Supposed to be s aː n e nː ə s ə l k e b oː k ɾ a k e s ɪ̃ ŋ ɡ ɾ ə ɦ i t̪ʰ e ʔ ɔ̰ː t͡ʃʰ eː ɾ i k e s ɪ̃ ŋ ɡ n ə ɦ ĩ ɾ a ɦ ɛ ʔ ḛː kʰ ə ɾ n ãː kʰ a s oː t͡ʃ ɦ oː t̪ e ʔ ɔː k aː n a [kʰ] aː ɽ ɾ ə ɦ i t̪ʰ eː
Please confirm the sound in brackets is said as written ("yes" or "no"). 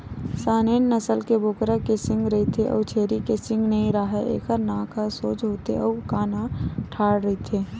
no